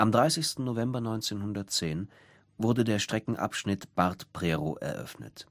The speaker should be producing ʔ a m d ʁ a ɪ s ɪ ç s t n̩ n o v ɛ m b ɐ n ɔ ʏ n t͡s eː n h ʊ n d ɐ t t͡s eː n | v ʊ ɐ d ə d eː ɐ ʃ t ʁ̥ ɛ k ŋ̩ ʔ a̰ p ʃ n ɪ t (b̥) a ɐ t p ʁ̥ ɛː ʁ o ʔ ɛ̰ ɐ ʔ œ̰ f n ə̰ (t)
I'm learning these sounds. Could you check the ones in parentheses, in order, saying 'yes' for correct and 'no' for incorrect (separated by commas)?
yes, yes